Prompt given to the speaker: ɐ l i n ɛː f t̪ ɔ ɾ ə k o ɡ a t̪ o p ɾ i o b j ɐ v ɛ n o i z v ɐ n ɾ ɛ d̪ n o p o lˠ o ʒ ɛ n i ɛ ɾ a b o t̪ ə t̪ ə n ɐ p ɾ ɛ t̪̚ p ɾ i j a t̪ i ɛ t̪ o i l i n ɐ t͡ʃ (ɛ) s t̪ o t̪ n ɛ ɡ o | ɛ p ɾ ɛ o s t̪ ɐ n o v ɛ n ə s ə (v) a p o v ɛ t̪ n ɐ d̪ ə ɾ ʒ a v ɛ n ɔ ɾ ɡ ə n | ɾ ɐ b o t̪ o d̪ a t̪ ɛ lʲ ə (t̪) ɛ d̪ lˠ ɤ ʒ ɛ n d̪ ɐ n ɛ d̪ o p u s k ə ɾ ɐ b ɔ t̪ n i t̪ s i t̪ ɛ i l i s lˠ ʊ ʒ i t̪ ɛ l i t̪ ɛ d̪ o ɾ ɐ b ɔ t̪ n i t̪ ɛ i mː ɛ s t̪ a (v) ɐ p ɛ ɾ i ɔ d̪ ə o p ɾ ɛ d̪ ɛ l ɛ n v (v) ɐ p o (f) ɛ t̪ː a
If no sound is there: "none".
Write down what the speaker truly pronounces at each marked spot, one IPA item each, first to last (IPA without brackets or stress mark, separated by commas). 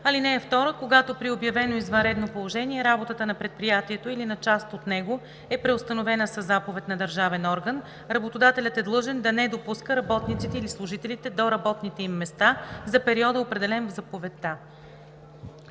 a, z, t̪, z, z, v